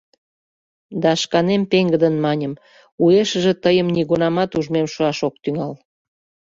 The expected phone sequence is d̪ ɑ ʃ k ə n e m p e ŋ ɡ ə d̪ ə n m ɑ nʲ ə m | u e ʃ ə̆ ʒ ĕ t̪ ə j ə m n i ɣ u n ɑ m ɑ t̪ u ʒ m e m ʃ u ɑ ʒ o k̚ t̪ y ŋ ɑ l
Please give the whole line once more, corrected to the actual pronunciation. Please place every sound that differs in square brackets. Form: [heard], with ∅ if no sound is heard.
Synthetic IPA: d̪ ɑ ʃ k [ɑ] n e m p e ŋ ɡ ə d̪ ə n m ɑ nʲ ə m | u e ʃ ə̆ ʒ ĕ t̪ ə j ə m n i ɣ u n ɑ m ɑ t̪ u ʒ m e m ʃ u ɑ [ʃ] o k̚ t̪ y ŋ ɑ l